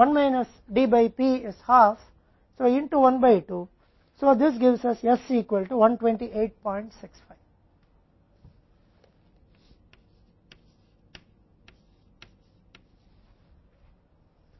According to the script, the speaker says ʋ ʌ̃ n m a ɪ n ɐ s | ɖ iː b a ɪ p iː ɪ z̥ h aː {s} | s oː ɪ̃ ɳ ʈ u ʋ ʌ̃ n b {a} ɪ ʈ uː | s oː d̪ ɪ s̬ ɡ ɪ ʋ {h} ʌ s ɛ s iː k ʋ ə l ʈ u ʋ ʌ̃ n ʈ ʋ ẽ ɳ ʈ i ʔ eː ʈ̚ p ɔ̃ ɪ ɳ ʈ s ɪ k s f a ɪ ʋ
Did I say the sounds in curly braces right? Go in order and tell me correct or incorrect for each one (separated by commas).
incorrect, correct, incorrect